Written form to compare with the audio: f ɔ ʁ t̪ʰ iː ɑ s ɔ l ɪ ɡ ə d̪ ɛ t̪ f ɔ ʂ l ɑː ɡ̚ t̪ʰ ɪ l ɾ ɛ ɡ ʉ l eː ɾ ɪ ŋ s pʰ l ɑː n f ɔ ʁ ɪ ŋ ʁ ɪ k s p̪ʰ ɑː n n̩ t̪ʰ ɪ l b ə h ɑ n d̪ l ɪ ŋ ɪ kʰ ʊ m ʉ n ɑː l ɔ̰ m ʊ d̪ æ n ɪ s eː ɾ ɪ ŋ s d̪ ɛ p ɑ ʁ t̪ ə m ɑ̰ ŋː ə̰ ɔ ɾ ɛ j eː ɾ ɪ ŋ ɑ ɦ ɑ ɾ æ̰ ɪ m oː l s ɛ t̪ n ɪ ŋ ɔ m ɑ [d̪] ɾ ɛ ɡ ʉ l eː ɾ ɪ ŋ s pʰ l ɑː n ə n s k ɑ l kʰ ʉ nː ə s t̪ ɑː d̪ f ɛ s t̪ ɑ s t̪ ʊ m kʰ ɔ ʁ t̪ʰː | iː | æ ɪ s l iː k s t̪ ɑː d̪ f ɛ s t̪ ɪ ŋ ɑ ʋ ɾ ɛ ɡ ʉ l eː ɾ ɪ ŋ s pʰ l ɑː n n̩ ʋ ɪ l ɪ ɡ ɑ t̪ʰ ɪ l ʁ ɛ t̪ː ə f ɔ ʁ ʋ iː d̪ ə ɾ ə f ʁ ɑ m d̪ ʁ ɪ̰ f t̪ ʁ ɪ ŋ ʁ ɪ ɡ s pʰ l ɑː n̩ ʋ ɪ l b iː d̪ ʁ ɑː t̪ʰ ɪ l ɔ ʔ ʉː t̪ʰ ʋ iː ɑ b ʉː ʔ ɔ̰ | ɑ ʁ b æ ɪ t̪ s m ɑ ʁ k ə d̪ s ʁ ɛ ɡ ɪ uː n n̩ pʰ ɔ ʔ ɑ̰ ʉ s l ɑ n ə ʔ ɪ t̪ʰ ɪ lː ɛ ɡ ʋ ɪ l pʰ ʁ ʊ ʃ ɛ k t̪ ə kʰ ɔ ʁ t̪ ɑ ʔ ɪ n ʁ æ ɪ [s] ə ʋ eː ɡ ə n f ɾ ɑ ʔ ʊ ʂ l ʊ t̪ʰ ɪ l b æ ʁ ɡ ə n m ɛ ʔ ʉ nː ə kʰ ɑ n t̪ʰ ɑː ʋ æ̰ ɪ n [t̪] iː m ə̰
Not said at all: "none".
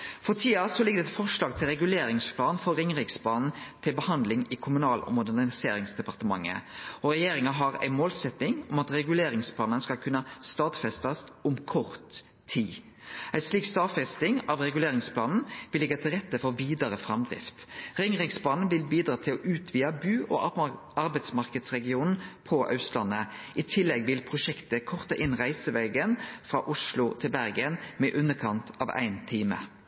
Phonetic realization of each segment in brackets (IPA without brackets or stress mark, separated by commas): t̪, s, t̪ʰ